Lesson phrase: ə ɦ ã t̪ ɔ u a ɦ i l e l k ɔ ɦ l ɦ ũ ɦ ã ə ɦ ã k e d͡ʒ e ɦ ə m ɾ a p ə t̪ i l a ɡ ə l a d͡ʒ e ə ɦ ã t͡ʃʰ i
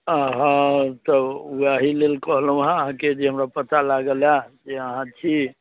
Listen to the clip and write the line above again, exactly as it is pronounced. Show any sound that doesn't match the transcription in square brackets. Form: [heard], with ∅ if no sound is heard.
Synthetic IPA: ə ɦ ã t̪ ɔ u a ɦ i l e l k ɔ ɦ l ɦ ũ ɦ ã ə ɦ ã k e d͡ʒ e ɦ ə m ɾ a p ə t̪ [a] l a ɡ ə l a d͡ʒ e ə ɦ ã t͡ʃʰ i